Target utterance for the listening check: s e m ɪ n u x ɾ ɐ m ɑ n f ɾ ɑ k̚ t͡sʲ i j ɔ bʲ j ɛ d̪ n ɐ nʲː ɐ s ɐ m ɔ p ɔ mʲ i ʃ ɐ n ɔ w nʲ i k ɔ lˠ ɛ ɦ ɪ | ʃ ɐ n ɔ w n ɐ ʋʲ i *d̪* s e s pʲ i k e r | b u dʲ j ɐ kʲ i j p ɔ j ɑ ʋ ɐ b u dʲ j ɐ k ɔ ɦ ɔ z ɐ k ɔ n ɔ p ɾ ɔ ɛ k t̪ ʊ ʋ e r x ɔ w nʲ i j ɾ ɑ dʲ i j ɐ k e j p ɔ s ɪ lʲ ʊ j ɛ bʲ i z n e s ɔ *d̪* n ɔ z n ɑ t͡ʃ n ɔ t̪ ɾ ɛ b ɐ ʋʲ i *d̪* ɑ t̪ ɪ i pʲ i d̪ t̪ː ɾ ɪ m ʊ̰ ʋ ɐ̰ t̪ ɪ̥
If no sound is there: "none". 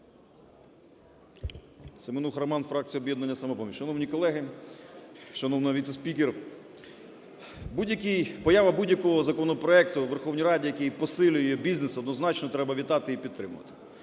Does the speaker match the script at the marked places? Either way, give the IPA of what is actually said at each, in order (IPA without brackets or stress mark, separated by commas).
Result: t̪, d̪, t̪